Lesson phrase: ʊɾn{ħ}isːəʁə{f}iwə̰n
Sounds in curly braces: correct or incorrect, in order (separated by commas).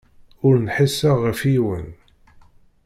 correct, correct